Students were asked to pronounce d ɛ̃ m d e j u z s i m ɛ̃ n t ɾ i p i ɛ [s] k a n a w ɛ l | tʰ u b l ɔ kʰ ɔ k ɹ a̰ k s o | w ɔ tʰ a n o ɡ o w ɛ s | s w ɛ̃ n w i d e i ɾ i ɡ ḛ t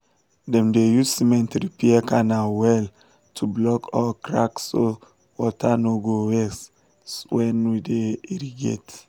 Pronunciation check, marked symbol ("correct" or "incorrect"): incorrect